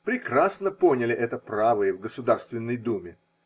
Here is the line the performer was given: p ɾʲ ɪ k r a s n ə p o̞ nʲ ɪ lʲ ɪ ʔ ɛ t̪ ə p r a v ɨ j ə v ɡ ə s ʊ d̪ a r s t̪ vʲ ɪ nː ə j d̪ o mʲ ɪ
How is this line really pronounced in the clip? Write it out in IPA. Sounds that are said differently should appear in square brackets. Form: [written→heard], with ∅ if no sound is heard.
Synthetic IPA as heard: p ɾʲ ɪ k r a s n ə p o̞ nʲ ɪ lʲ ɪ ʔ ɛ t̪ ə p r a v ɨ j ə v ɡ ə s ʊ d̪ a r s t̪ vʲ ɪ nː ə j d̪ [o→u] mʲ ɪ

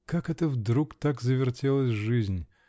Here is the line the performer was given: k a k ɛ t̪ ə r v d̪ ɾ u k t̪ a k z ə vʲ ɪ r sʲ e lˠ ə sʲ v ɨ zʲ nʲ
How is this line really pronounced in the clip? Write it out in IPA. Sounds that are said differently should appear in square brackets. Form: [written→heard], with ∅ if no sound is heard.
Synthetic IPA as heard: k a k ɛ t̪ ə [r→∅] v d̪ ɾ u k t̪ a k z ə vʲ ɪ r [sʲ→tʲ] e lˠ ə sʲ [v→ʐ] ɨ zʲ nʲ

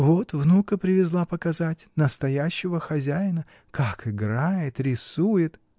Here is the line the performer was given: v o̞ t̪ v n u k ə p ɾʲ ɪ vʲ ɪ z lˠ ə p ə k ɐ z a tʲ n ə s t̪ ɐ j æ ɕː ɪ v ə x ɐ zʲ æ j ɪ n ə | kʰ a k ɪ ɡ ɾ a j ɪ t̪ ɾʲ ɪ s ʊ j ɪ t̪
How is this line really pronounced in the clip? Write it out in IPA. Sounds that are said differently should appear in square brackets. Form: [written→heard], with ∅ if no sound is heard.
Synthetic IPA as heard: v o̞ t̪ v n u k ə p ɾʲ ɪ vʲ ɪ z lˠ [ə→a] p ə k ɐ z a tʲ n ə s t̪ ɐ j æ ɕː ɪ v ə x ɐ zʲ æ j ɪ n ə | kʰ a k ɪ ɡ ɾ a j ɪ t̪ ɾʲ ɪ s [ʊ→u] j ɪ t̪

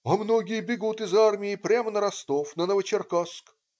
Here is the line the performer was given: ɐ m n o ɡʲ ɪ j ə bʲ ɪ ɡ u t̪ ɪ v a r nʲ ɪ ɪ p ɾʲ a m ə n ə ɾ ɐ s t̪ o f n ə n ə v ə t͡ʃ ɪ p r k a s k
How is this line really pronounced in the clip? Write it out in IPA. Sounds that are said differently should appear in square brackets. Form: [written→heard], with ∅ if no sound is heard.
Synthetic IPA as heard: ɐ m n o ɡʲ ɪ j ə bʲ ɪ ɡ u t̪ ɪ [v→z] a r [nʲ→mʲ] ɪ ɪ p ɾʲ a m ə n ə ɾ ɐ s t̪ o f n ə n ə v ə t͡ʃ ɪ [p→∅] r k a s k

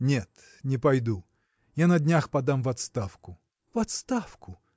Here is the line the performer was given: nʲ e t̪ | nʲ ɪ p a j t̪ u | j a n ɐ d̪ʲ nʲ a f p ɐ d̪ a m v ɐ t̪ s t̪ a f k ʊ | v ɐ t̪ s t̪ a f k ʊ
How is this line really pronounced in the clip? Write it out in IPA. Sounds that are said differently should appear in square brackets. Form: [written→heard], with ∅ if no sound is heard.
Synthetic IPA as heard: nʲ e t̪ | nʲ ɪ p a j [t̪→d̪] u | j a n ɐ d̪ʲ nʲ a [f→x] p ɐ d̪ a m v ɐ t̪ s t̪ a f k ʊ | v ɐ t̪ s t̪ a f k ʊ

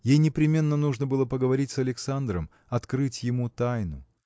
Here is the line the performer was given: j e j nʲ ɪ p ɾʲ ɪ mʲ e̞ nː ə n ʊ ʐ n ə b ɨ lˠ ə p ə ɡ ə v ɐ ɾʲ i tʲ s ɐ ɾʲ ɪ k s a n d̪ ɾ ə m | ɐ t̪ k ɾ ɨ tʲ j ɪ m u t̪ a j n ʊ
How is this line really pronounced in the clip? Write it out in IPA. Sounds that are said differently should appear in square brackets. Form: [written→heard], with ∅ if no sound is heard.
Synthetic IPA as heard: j e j nʲ ɪ p ɾʲ ɪ mʲ e̞ nː ə n [ʊ→u] ʐ n ə b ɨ lˠ ə p ə ɡ ə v ɐ ɾʲ i tʲ s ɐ [ɾʲ→lʲ] ɪ k s a n d̪ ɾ ə m | ɐ t̪ k ɾ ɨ tʲ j ɪ m u t̪ a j n ʊ

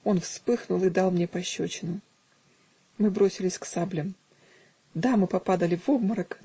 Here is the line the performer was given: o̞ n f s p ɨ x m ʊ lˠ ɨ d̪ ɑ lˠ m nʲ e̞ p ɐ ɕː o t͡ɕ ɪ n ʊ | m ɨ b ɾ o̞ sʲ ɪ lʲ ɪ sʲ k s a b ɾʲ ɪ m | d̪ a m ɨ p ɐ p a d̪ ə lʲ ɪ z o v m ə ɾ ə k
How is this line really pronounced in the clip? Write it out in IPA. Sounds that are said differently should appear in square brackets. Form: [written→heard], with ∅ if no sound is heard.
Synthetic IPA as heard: o̞ n f s p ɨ x [m→n] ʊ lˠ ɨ d̪ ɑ lˠ m nʲ e̞ p ɐ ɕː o t͡ɕ ɪ n ʊ | m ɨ b ɾ o̞ sʲ ɪ lʲ ɪ sʲ k s a b [ɾʲ→lʲ] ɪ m | d̪ a m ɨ p ɐ p a d̪ ə lʲ ɪ [z→v] o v m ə ɾ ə k

